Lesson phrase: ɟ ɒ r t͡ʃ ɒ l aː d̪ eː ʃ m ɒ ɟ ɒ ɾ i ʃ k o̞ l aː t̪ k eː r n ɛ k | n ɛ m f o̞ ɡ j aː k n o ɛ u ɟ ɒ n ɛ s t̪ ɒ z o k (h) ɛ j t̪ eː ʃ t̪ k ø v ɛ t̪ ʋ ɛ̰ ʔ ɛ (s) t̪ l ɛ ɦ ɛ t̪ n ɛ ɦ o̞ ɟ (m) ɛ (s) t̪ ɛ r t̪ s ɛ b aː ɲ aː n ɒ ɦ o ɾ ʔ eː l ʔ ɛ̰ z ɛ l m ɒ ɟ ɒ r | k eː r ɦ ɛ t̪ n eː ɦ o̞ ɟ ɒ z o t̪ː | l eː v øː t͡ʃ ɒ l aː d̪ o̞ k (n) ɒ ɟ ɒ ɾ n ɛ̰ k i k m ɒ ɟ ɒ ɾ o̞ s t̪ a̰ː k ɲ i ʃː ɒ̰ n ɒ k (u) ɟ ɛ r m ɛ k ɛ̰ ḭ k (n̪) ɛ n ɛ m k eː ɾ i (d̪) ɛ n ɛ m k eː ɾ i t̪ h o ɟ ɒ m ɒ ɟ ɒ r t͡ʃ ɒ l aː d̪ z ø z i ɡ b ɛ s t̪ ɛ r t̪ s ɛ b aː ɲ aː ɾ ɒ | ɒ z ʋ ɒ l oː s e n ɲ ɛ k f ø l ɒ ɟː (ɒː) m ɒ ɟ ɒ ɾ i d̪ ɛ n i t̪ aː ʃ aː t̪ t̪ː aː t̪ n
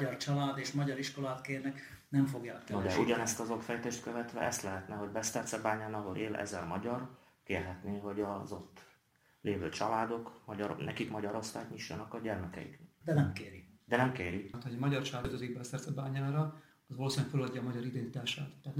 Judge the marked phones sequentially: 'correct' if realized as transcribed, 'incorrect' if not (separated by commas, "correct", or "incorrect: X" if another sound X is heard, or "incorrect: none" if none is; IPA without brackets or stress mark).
incorrect: f, correct, incorrect: b, correct, incorrect: m, incorrect: ɒ, incorrect: d̪, correct, correct